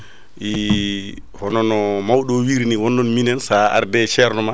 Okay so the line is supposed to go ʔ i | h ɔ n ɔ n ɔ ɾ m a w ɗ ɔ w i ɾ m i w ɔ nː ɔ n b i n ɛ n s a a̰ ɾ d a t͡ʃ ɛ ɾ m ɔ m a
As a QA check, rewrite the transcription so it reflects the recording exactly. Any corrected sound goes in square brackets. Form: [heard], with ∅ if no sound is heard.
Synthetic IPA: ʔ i | h ɔ n ɔ n ɔ [∅] m a w ɗ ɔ w i ɾ [n] i w ɔ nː ɔ n [m] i n ɛ n s a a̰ ɾ d [ɛ] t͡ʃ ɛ ɾ [n] ɔ m a